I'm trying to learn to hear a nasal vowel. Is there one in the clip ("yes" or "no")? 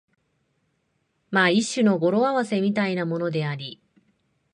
no